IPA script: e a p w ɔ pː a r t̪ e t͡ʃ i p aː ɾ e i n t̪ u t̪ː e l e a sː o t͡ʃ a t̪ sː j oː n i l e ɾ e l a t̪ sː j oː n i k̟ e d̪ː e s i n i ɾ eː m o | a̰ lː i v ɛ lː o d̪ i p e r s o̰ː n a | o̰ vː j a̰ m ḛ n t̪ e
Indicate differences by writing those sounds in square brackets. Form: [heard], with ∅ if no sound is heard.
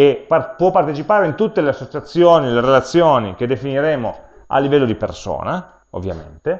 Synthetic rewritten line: e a p w ɔ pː a r t̪ e t͡ʃ i p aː ɾ e i n t̪ u t̪ː e l e a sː o t͡ʃ a t̪ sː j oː n i l e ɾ e l a t̪ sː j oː n i k̟ e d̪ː e [f] i n i ɾ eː m o | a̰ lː i v ɛ lː o d̪ i p e r s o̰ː n a | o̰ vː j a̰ m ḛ n t̪ e